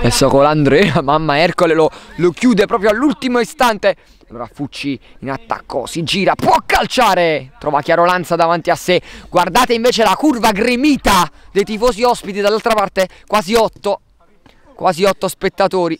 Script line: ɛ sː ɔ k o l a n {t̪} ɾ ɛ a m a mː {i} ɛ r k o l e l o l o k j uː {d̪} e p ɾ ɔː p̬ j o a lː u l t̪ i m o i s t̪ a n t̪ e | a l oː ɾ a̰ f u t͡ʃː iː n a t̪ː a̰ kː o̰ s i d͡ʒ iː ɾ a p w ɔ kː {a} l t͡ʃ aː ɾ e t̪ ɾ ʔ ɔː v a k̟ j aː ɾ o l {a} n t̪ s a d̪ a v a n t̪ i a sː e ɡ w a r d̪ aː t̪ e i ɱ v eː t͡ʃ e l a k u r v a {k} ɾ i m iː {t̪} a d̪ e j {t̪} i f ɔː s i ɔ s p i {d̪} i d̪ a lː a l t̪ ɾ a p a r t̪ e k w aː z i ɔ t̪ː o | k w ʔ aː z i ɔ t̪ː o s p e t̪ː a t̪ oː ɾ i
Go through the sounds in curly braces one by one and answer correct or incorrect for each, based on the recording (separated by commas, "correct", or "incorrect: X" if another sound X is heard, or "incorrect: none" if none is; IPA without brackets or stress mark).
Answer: incorrect: d̪, incorrect: a, correct, correct, correct, incorrect: ɡ, correct, correct, incorrect: t̪